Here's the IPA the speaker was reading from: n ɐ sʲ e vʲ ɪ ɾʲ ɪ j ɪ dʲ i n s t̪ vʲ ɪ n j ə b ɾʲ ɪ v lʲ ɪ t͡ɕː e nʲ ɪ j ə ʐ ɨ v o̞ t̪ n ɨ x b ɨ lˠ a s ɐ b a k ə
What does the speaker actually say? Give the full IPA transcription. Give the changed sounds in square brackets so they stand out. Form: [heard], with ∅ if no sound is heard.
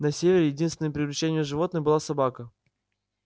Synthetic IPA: n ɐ sʲ e vʲ ɪ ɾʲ ɪ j ɪ dʲ i n s t̪ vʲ ɪ n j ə [p] ɾʲ ɪ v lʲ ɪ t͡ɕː e nʲ ɪ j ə ʐ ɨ v o̞ t̪ n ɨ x b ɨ lˠ a s ɐ b a k ə